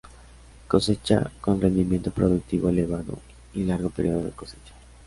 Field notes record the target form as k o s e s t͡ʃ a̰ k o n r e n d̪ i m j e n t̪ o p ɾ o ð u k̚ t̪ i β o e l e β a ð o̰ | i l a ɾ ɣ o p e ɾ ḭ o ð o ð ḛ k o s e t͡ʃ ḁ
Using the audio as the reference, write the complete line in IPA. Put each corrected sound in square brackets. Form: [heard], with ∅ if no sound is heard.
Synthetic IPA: k o s e [∅] t͡ʃ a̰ k o n r e n d̪ i m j e n t̪ o p ɾ o ð u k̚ t̪ i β o e l e β a ð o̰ | i l a ɾ ɣ o p e ɾ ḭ o ð o ð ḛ k o s e t͡ʃ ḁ